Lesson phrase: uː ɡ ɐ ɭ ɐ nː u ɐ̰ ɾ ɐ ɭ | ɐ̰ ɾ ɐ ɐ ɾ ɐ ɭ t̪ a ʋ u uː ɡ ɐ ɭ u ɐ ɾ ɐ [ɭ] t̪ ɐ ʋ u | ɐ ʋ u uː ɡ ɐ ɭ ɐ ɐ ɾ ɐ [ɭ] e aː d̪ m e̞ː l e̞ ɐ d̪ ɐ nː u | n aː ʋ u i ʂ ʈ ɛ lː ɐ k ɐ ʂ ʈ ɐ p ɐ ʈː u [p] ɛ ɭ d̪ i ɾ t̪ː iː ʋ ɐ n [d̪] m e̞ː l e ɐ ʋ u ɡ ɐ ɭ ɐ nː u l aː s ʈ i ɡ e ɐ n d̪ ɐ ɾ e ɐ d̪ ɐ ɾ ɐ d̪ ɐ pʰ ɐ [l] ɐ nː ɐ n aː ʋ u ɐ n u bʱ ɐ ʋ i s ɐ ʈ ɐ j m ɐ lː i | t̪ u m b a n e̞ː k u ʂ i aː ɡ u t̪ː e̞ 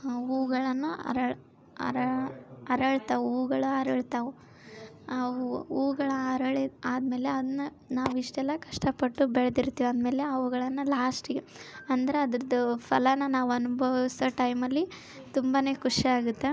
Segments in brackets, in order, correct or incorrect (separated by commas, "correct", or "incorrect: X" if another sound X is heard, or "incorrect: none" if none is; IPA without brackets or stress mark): correct, correct, incorrect: b, correct, correct